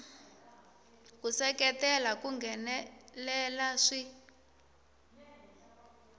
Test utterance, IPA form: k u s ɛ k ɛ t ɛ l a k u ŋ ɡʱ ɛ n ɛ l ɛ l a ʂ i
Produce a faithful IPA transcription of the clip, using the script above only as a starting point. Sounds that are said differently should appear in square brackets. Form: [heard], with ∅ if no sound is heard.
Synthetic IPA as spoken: k u s ɛ k ɛ t ɛ l a k u ŋ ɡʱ ɛ n ɛ l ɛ l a ʂ i